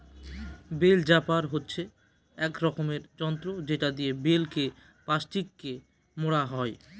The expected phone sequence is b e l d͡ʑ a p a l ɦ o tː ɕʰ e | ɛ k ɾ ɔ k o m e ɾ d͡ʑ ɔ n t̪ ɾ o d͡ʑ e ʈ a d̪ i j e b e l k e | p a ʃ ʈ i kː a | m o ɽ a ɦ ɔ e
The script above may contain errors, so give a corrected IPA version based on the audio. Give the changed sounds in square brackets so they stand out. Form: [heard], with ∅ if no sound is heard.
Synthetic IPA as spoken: b e l d͡ʑ a p a [ɾ] ɦ o tː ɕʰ e | ɛ k ɾ ɔ k o m e ɾ d͡ʑ ɔ n t̪ ɾ o d͡ʑ e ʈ a d̪ i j e b e l k e | p a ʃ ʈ i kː [e] | m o ɽ a ɦ ɔ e